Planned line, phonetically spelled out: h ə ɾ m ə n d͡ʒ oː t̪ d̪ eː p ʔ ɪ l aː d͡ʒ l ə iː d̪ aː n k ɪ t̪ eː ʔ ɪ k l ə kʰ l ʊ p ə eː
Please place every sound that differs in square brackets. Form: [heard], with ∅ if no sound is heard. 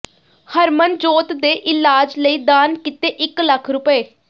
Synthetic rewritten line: h ə ɾ m ə n d͡ʒ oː t̪ d̪ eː [∅] ʔ ɪ l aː d͡ʒ l ə iː d̪ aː n k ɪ t̪ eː ʔ ɪ k l ə kʰ [ɾ] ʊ p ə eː